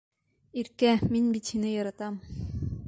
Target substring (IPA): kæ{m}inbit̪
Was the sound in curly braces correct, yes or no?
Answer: yes